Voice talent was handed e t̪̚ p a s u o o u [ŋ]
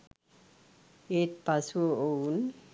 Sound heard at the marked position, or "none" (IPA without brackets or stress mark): n